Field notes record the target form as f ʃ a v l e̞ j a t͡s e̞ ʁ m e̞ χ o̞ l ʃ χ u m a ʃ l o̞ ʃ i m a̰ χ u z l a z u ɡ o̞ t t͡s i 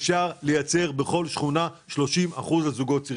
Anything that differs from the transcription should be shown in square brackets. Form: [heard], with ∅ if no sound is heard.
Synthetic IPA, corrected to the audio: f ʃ a [ʁ] l e̞ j a t͡s e̞ ʁ [b] e̞ χ o̞ l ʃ χ u [n] a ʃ l o̞ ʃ i m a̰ χ u z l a z u ɡ o̞ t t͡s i